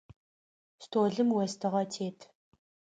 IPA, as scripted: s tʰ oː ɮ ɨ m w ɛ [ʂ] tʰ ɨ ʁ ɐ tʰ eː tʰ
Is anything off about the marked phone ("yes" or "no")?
yes